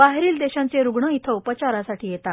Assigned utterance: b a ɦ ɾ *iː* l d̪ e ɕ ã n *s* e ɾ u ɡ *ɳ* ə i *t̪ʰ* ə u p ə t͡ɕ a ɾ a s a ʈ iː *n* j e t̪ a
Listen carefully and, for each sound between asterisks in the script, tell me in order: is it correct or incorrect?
correct, incorrect, correct, correct, incorrect

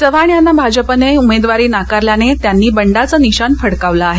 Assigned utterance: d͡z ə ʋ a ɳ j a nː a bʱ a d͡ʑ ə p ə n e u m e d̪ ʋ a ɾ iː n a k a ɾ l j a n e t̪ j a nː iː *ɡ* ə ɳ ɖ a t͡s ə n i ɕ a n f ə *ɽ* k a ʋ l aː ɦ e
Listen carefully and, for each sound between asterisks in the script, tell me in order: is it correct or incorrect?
incorrect, correct

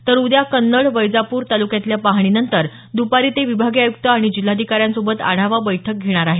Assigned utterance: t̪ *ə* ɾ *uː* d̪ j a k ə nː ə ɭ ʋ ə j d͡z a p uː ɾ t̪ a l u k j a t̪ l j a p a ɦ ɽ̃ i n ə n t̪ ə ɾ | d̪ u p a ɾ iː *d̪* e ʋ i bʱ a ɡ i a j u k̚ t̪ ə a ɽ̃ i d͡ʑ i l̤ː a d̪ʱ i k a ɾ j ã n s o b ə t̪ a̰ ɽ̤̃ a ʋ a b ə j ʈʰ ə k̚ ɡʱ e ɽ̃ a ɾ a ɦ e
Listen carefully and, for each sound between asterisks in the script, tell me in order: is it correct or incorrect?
correct, incorrect, incorrect

